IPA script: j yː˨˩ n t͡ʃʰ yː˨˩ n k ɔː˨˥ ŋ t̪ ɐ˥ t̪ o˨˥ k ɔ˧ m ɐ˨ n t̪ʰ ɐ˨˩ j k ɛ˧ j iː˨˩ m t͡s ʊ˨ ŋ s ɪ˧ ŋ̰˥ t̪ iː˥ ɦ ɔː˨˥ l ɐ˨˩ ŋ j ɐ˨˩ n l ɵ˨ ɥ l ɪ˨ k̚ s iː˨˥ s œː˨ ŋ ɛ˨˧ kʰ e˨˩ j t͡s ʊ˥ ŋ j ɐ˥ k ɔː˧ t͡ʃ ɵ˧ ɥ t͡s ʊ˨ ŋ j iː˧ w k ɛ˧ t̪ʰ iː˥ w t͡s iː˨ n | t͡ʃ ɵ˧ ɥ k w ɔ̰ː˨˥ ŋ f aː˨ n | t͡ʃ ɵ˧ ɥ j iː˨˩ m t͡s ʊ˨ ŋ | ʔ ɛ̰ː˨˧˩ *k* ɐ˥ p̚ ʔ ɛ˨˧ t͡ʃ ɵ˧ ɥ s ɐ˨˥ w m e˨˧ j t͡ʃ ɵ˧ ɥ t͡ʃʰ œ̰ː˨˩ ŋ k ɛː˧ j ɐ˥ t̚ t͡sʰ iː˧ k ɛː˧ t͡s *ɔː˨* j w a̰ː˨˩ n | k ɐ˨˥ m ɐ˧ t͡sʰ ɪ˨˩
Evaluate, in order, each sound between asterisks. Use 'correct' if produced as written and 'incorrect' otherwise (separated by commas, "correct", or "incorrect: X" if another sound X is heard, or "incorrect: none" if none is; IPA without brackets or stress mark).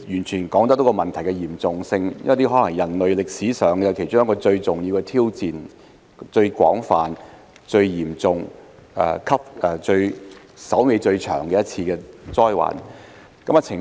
incorrect: kʰ, incorrect: ɔː˥